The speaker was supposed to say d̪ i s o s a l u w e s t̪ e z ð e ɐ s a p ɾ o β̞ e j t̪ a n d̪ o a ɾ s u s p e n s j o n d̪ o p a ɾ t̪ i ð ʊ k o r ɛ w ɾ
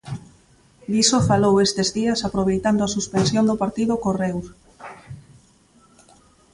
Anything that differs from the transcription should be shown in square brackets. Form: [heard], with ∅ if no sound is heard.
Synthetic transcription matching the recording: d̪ i s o [f] a l [o] w e s t̪ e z ð [i] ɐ s a p ɾ o β̞ e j t̪ a n d̪ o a [∅] s u s p e n s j o n d̪ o p a ɾ t̪ i ð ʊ k o r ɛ w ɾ